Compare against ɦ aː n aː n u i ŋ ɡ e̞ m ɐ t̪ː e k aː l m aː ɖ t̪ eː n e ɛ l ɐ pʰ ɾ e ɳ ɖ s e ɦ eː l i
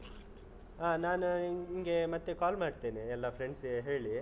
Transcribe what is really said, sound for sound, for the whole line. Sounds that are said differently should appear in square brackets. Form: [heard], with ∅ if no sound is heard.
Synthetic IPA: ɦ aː n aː n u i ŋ ɡ e̞ m ɐ t̪ː e k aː l m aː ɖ t̪ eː n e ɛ [lː] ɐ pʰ ɾ e ɳ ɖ s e ɦ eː [ɭ] i